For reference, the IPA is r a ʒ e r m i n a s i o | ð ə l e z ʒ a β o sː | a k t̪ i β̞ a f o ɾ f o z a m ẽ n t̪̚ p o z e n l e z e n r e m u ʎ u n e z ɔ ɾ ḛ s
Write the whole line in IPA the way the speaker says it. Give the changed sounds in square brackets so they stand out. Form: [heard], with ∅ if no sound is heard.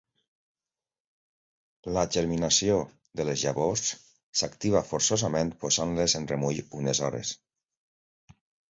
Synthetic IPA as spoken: [l] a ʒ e [ɾ] m i n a s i o | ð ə l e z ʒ a β o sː | a k t̪ i β̞ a f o ɾ [s] o z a m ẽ n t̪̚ p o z [a] n l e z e n r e m u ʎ u n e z ɔ ɾ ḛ s